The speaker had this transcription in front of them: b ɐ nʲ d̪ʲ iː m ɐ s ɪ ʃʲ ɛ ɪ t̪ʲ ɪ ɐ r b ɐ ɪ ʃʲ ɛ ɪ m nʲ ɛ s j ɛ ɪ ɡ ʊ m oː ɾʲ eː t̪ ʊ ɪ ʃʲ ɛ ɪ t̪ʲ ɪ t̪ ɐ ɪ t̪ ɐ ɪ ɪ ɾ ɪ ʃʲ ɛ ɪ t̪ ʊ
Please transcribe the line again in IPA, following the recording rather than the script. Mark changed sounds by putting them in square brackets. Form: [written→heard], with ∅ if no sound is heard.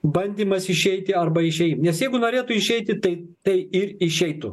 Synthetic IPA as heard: b ɐ nʲ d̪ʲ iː m ɐ s ɪ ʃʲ ɛ ɪ t̪ʲ ɪ ɐ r b ɐ ɪ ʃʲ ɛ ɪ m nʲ ɛ s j ɛ ɪ ɡ ʊ [m→n] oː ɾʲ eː t̪ ʊ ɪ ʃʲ ɛ ɪ t̪ʲ ɪ t̪ ɐ ɪ t̪ ɐ ɪ ɪ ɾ ɪ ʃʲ ɛ ɪ t̪ ʊ

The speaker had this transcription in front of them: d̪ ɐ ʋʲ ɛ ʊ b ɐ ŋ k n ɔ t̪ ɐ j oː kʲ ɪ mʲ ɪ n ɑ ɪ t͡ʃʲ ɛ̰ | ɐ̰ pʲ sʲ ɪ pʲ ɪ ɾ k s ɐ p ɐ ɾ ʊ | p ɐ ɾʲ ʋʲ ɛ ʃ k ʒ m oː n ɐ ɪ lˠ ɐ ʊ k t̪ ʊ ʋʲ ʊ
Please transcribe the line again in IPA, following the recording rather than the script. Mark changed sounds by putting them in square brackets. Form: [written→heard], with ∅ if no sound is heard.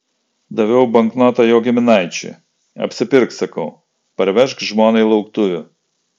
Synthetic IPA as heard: d̪ ɐ ʋʲ ɛ ʊ b ɐ ŋ k n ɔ t̪ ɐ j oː [kʲ→ɡʲ] ɪ mʲ ɪ n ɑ ɪ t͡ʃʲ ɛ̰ | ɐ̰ pʲ sʲ ɪ pʲ ɪ ɾ k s ɐ [p→k] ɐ [ɾ→∅] ʊ | p ɐ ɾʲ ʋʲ ɛ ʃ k ʒ m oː n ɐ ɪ lˠ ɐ ʊ k t̪ ʊ ʋʲ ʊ

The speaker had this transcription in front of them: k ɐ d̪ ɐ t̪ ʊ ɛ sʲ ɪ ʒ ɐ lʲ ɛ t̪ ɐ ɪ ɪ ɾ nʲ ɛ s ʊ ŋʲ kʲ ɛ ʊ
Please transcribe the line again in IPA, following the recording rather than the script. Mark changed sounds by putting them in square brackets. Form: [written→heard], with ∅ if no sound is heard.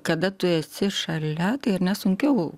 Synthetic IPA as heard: k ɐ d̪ ɐ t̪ ʊ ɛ sʲ ɪ [ʒ→ʃ] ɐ lʲ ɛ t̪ ɐ ɪ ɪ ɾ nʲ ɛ s ʊ ŋʲ kʲ ɛ ʊ

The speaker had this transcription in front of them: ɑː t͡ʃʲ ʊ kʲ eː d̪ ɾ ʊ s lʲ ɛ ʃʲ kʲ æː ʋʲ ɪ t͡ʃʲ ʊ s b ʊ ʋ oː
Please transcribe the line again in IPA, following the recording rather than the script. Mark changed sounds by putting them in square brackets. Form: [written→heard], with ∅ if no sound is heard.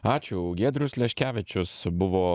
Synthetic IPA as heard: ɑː t͡ʃʲ ʊ [kʲ→ɡʲ] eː d̪ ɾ ʊ s lʲ ɛ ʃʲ kʲ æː ʋʲ ɪ t͡ʃʲ ʊ s b ʊ ʋ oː

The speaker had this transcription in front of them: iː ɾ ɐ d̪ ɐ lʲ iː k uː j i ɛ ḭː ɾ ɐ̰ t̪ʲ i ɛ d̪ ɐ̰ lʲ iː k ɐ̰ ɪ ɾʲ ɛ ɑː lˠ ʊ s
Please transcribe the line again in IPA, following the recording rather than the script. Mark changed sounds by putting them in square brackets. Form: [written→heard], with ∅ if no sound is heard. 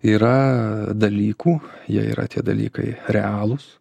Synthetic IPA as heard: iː ɾ ɐ d̪ ɐ lʲ iː k uː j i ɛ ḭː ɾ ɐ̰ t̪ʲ i ɛ d̪ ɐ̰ lʲ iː k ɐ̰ ɪ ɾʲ ɛ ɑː lˠ ʊ s

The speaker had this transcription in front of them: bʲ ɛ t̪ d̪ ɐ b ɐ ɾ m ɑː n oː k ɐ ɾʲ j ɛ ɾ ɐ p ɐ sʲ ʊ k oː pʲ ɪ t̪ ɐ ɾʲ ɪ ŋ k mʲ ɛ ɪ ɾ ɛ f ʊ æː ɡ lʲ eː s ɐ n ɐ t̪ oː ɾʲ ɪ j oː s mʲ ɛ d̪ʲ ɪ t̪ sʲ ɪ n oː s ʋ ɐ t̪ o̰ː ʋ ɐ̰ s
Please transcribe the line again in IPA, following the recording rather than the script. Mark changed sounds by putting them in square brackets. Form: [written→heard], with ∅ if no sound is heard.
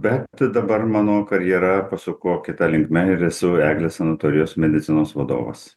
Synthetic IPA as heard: bʲ ɛ t̪ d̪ ɐ b ɐ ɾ m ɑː n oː k ɐ ɾʲ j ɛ ɾ ɐ p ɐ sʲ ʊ k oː [pʲ→kʲ] ɪ t̪ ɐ [ɾʲ→lʲ] ɪ ŋ k mʲ ɛ ɪ ɾ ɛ [f→s] ʊ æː ɡ lʲ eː s ɐ n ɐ t̪ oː ɾʲ ɪ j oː s mʲ ɛ d̪ʲ ɪ t̪ sʲ ɪ n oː s ʋ ɐ [t̪→d̪] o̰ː ʋ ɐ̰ s

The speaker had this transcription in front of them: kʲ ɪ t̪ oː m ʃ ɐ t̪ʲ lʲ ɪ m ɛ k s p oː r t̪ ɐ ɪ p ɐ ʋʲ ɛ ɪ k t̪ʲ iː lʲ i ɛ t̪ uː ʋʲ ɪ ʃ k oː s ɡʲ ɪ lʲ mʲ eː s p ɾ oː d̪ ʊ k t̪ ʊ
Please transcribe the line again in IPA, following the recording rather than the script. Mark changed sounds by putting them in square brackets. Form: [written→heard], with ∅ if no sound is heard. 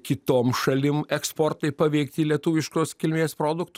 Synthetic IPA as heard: kʲ ɪ t̪ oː m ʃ ɐ [t̪ʲ→∅] lʲ ɪ m ɛ k s p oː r t̪ ɐ ɪ p ɐ ʋʲ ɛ ɪ k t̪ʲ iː lʲ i ɛ t̪ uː ʋʲ ɪ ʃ k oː s [ɡʲ→kʲ] ɪ lʲ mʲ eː s p ɾ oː d̪ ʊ k t̪ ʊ

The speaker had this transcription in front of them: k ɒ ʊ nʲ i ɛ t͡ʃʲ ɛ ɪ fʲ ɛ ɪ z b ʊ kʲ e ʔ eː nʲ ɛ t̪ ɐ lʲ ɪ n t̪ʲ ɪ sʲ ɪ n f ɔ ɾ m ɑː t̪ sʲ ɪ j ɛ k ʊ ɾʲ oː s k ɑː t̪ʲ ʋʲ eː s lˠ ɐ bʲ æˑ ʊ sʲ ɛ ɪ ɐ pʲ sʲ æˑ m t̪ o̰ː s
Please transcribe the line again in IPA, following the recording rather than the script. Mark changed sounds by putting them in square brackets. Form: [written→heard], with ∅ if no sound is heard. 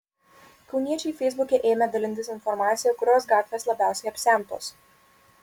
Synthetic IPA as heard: k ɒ ʊ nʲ i ɛ t͡ʃʲ ɛ ɪ fʲ ɛ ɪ z b ʊ kʲ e ʔ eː [nʲ→mʲ] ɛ [t̪→d̪] ɐ lʲ ɪ n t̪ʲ ɪ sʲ ɪ n f ɔ ɾ m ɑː t̪ sʲ ɪ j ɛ k ʊ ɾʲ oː s [k→ɡ] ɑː t̪ʲ ʋʲ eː s lˠ ɐ bʲ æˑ ʊ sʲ ɛ ɪ ɐ pʲ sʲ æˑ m t̪ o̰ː s

